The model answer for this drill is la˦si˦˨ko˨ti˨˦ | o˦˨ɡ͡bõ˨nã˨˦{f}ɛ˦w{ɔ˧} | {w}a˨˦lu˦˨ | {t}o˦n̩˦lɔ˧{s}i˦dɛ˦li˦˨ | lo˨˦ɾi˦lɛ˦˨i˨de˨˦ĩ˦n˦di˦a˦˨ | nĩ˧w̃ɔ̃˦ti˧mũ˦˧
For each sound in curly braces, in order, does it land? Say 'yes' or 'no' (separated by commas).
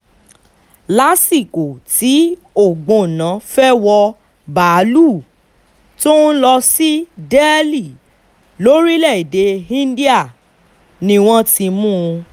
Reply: yes, yes, no, yes, yes